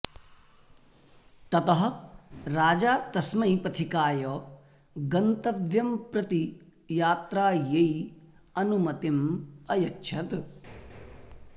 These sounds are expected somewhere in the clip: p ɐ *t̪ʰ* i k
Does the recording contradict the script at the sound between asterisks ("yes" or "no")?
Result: no